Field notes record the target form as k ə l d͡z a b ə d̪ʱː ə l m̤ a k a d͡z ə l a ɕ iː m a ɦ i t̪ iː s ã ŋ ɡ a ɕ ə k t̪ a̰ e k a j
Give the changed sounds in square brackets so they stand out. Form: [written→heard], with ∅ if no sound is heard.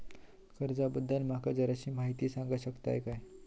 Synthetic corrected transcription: k ə [l→ɾ] d͡z a b ə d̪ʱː ə l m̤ a k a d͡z ə [l→ɾ] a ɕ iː m a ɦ i t̪ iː s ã ŋ ɡ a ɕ ə k t̪ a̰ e k a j